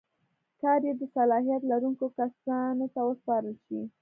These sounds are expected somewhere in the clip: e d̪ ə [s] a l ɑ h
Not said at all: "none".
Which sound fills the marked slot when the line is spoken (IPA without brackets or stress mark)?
s